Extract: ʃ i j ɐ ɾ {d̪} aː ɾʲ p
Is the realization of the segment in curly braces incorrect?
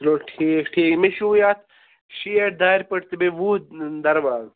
no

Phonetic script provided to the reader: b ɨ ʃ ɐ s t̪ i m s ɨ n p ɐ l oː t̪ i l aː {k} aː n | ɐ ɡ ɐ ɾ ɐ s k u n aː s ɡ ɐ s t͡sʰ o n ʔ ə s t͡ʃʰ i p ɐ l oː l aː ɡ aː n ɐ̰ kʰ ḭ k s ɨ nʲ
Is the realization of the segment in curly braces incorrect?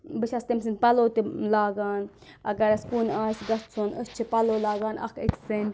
yes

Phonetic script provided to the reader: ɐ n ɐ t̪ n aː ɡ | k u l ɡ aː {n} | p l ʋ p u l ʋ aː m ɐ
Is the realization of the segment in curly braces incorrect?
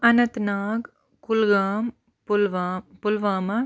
yes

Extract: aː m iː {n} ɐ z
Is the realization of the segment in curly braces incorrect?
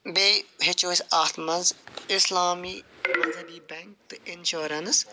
yes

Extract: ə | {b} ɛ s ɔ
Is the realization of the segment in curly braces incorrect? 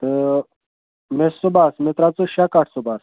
yes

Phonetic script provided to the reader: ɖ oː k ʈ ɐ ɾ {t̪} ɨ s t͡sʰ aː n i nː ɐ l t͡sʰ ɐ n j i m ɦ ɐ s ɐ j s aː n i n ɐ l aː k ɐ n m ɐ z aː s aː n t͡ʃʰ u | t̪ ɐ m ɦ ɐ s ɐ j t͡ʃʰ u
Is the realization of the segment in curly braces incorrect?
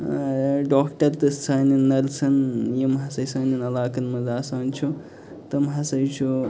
no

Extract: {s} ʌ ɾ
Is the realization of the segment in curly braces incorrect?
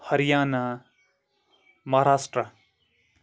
yes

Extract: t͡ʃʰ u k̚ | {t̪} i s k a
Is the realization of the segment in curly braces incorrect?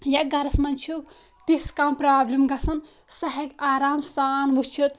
no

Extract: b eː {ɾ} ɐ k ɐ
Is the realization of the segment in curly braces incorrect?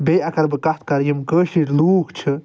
yes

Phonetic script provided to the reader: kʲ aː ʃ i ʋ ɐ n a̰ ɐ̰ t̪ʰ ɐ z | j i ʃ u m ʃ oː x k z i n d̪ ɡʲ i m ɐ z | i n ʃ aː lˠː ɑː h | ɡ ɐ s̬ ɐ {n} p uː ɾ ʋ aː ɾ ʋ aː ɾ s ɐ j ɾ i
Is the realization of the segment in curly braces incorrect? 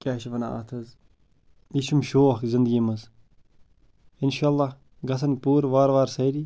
no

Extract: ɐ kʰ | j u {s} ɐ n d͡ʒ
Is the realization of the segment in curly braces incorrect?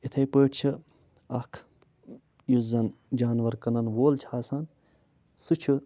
yes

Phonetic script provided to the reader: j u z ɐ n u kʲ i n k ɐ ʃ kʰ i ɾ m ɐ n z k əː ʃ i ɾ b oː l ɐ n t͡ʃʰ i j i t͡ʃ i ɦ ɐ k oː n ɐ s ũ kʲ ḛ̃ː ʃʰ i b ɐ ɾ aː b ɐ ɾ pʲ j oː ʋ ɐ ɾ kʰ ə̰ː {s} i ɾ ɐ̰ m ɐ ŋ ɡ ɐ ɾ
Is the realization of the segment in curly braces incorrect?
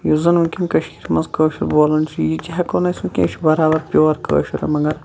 yes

